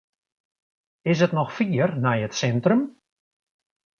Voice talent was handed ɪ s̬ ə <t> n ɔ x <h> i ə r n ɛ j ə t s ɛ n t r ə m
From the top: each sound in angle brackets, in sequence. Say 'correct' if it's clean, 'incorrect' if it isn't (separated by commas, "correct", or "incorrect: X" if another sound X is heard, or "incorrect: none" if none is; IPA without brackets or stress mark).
correct, incorrect: f